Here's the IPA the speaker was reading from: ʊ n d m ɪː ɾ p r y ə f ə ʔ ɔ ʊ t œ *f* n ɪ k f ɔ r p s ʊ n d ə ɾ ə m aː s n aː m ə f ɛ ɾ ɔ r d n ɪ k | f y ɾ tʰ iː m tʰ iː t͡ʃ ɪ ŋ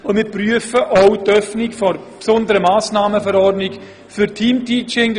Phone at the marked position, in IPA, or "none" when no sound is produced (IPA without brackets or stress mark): f